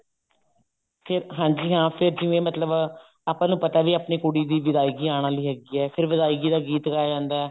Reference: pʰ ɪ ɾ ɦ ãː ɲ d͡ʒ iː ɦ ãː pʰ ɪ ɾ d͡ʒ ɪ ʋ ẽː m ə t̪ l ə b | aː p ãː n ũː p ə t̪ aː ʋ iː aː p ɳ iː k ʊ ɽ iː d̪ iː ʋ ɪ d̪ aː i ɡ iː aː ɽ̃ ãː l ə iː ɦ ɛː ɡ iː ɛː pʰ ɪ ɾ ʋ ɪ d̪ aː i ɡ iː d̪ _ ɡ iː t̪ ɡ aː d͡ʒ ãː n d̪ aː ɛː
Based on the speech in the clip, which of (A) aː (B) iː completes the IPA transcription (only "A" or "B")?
A